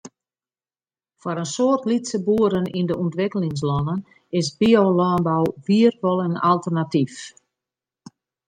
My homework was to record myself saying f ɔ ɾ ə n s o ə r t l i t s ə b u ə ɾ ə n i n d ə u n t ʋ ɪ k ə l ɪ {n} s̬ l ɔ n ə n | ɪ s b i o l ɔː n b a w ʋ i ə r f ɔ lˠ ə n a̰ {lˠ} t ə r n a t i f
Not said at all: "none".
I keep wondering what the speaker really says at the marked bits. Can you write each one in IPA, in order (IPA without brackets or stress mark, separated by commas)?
ŋ, lˠ